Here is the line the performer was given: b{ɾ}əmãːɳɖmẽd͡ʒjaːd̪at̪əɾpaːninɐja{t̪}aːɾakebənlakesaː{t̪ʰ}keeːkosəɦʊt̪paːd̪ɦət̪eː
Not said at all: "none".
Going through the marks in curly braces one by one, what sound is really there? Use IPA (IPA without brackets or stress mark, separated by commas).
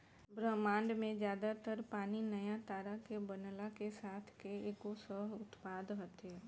ɾ, t̪, t̪ʰ